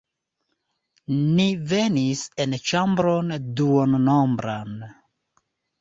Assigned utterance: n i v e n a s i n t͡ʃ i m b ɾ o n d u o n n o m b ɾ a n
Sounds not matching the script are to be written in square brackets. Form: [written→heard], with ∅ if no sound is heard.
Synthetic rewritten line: n i v e n [a→i] s [i→e] n t͡ʃ [i→a] m b ɾ o n d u o n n o m b ɾ a n

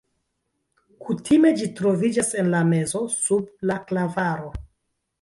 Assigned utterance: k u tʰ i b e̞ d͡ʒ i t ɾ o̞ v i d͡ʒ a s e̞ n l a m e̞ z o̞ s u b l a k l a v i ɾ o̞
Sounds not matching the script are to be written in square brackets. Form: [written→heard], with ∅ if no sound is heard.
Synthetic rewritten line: k u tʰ i [b→m] e̞ d͡ʒ i t ɾ o̞ v i d͡ʒ a s e̞ n l a m e̞ z o̞ s u b l a k l a v [i→a] ɾ o̞

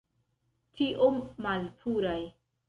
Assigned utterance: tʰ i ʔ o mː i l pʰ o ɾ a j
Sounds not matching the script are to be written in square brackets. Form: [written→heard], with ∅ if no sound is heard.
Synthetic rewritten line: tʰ i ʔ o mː [i→a] l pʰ [o→u] ɾ a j

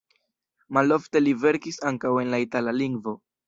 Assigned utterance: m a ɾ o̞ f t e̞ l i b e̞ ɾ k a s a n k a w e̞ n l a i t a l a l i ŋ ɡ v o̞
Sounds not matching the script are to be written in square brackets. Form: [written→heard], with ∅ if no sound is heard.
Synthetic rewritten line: m a [ɾ→l] o̞ f t e̞ l i [b→v] e̞ ɾ k [a→i] s a [n→ŋ] k a w e̞ n l a i t a l a l i ŋ ɡ v o̞

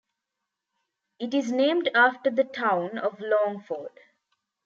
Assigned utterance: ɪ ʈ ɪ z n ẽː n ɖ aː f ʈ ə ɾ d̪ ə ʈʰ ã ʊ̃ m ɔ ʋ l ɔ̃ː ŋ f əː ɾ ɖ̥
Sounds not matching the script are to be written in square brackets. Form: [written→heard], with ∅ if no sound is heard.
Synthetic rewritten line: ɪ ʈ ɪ z n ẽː [n→m] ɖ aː f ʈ ə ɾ d̪ ə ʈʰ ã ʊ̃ [m→n] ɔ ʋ l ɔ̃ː ŋ f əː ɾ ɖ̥

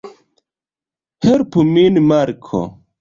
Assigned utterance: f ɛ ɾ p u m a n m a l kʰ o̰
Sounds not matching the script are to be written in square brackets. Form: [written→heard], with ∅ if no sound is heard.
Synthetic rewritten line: [f→h] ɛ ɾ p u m [a→i] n m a [l→ɾ] kʰ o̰

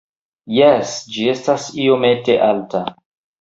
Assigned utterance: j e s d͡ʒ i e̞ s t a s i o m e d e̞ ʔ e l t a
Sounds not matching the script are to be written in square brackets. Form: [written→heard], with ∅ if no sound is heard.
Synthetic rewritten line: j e s d͡ʒ i e̞ s t a s i o m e [d→t] e̞ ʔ [e→a] l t a

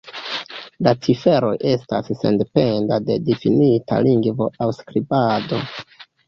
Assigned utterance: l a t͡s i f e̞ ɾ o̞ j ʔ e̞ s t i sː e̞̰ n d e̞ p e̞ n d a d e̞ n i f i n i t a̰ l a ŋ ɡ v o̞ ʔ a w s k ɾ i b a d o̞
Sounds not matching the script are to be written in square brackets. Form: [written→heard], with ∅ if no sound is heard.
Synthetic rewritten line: l a t͡s i f e̞ ɾ o̞ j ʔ e̞ s t [i→a] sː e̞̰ n d e̞ p e̞ n d a d e̞ [n→d] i f i n i t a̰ l [a→i] ŋ ɡ v o̞ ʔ a w s k ɾ i b a d o̞

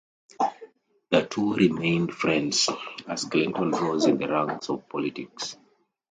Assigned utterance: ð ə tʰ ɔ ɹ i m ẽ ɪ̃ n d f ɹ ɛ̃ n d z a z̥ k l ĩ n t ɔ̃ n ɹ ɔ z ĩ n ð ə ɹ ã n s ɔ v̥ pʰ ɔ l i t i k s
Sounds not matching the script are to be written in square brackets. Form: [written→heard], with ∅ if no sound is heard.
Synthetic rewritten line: ð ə tʰ [ɔ→u] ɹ i m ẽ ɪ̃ n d f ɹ ɛ̃ n d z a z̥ k l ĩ n t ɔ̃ n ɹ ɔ z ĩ n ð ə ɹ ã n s ɔ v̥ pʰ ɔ l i t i k s

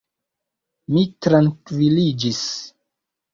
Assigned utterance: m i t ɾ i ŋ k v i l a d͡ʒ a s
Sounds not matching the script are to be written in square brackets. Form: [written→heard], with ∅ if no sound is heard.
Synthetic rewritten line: m i t ɾ [i→a] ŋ k v i l [a→i] d͡ʒ [a→i] s

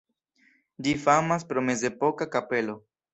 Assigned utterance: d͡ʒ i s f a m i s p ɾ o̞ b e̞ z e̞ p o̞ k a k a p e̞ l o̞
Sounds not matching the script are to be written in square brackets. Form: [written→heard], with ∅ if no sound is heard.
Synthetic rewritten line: d͡ʒ i [s→∅] f a m [i→a] s p ɾ o̞ [b→m] e̞ z e̞ p o̞ k a k a p e̞ l o̞

